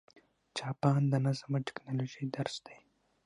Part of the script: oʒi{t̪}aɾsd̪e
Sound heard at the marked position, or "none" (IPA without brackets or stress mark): d̪